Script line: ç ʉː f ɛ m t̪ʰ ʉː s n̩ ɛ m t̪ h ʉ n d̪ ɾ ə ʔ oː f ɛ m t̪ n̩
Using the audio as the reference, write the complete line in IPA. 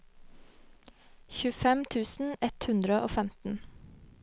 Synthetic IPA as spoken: ç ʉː f ɛ m t̪ʰ ʉː s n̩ ɛ t̪ h ʉ n d̪ ɾ ə ʔ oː f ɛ m t̪ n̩